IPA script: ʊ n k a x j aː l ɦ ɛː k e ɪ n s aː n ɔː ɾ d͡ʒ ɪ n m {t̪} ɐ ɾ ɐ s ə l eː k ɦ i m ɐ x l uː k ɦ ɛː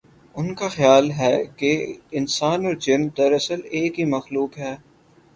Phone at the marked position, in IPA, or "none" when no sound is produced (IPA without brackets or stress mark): d̪